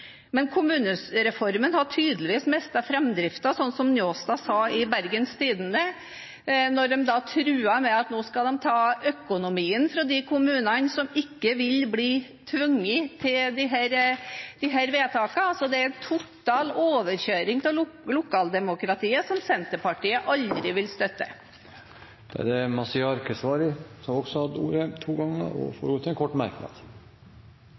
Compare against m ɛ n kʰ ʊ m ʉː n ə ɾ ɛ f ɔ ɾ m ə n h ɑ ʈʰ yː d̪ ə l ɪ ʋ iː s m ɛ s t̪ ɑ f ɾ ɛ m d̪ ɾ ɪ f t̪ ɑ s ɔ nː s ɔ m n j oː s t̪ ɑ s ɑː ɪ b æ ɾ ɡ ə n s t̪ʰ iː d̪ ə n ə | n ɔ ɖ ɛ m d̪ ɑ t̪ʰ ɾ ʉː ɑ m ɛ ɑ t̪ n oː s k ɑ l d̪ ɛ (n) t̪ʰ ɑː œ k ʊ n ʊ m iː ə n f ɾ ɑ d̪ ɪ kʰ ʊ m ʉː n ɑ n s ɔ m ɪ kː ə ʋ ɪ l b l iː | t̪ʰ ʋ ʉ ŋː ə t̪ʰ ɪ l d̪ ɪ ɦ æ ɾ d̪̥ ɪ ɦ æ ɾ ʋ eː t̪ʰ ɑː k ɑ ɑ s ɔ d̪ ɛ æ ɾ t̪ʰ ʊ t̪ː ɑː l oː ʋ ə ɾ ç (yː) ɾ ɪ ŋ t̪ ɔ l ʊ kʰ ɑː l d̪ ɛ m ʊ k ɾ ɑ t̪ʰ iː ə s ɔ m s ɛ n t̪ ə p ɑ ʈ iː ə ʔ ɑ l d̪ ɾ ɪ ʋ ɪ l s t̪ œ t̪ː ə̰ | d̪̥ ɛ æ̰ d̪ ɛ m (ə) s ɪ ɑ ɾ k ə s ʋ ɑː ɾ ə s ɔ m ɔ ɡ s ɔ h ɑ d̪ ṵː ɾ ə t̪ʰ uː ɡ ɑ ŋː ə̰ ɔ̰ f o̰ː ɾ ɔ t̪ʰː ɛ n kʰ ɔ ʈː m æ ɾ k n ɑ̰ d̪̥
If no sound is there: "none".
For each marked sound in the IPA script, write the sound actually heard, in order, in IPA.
m, øː, ɑ

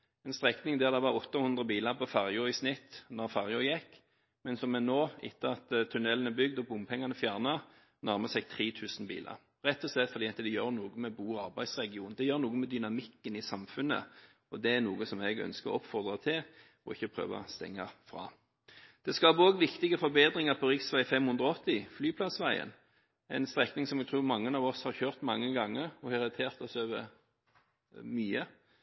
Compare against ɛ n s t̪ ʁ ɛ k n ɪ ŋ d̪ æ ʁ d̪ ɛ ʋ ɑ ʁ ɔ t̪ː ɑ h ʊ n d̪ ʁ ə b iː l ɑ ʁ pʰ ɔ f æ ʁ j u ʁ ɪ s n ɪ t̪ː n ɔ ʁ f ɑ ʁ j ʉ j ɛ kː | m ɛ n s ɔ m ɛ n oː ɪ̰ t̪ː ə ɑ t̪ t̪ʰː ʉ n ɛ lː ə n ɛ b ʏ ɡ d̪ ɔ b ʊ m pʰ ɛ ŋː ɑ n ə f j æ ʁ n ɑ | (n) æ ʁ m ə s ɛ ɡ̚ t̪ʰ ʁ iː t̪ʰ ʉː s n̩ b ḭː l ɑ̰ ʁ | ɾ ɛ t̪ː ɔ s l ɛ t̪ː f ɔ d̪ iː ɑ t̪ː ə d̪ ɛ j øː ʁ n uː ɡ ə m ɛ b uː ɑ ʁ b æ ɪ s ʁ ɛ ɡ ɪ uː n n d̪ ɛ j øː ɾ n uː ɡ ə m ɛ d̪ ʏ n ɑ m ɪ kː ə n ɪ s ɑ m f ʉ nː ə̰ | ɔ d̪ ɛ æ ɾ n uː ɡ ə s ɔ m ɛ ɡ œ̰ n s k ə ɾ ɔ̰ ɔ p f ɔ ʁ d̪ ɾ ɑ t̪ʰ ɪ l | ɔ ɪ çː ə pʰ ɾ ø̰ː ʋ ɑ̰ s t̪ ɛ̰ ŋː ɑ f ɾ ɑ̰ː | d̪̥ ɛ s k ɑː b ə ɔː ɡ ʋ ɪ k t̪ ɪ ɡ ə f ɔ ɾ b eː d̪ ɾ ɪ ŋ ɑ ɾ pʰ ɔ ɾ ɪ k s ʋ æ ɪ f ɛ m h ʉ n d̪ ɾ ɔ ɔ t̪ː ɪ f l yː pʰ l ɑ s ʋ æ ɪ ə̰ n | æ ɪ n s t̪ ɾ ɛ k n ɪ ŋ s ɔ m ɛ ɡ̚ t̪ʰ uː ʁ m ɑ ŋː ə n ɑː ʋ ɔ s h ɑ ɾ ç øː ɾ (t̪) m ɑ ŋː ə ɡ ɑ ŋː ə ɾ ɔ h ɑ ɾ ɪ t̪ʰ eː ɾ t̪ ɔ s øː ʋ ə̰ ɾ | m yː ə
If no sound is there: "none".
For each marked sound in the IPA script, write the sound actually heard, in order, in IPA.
n, t̪

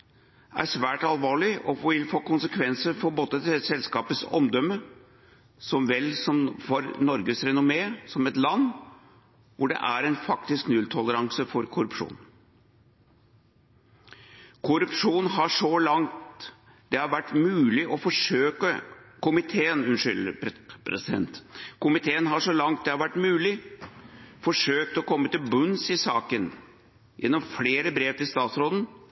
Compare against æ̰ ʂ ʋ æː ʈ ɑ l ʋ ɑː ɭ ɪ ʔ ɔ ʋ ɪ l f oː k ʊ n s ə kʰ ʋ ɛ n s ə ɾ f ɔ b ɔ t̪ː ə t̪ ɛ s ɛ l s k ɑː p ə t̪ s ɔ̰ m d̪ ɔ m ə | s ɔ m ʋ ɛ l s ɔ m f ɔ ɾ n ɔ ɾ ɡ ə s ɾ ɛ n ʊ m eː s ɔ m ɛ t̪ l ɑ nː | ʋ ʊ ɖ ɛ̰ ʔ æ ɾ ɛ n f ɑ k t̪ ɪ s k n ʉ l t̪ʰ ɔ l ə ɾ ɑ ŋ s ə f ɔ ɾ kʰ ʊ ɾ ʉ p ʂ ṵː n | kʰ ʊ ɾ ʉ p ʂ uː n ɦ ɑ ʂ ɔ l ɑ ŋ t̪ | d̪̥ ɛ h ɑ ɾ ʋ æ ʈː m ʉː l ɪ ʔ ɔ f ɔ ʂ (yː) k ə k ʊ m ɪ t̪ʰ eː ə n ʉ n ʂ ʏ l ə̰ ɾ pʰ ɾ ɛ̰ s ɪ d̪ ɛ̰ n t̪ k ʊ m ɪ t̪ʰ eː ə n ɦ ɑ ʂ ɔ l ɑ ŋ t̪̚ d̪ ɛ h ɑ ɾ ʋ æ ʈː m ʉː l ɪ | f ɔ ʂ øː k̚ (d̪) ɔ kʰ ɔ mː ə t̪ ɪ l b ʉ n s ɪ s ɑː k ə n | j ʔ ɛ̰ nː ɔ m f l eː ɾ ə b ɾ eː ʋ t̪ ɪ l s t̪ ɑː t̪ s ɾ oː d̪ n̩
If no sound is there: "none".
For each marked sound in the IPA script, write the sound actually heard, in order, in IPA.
øː, t̪

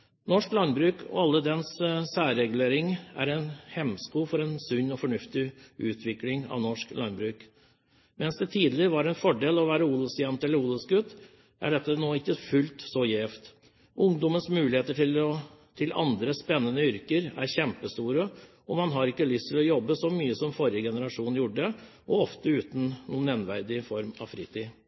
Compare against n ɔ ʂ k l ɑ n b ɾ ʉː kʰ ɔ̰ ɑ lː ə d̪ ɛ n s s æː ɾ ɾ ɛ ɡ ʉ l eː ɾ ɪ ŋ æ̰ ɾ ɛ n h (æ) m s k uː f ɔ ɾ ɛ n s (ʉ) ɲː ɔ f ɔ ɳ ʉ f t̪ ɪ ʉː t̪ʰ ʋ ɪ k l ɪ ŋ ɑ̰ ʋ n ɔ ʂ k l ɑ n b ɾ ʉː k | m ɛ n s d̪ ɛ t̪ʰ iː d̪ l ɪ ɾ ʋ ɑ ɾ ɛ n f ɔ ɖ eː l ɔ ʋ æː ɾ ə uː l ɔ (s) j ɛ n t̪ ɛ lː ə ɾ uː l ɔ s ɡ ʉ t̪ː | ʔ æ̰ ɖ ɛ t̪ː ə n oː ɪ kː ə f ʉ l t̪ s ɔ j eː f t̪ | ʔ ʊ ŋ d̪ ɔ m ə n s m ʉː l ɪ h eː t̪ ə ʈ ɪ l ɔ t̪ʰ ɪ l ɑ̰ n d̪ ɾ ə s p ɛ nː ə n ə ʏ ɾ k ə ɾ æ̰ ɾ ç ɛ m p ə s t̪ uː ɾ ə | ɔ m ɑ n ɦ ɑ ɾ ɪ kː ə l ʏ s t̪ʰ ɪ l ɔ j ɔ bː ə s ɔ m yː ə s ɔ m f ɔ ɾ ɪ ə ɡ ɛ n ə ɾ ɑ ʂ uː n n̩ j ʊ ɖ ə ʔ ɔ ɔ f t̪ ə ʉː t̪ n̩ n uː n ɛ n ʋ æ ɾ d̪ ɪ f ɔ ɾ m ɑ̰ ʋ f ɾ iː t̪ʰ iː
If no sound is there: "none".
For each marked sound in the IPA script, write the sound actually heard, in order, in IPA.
ɛ, ʉ, s

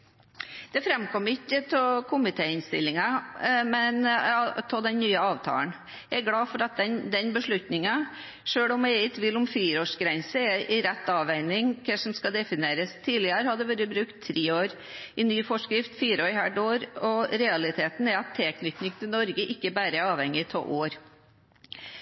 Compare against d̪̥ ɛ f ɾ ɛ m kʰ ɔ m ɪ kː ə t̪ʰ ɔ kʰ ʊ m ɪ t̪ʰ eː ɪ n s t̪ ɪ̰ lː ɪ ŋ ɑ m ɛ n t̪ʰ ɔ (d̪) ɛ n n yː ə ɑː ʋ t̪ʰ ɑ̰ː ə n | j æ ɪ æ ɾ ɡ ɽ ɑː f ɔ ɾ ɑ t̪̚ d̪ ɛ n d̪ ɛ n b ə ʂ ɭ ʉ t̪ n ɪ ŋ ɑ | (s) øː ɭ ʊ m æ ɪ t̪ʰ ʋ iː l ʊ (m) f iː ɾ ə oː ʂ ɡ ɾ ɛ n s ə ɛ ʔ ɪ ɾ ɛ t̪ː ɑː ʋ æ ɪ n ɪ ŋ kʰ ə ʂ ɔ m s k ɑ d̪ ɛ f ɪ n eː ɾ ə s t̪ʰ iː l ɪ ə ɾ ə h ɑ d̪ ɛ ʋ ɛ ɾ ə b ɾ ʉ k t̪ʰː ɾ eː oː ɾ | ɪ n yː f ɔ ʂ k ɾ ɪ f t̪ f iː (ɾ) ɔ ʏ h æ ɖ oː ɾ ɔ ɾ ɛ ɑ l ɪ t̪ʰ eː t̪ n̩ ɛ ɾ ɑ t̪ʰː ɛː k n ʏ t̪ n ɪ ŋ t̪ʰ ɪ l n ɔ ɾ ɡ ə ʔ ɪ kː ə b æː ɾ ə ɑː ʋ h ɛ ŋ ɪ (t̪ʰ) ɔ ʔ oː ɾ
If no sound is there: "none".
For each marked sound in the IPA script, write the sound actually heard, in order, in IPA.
d̪, ʂ, m, ɾ, t̪ʰ

